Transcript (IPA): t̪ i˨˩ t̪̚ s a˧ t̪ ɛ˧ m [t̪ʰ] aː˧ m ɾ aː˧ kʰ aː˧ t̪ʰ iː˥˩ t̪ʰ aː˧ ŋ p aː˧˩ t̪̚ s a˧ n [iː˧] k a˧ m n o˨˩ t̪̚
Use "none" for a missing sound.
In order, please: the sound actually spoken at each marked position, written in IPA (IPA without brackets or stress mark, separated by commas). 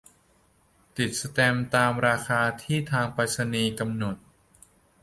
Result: t̪, iː˧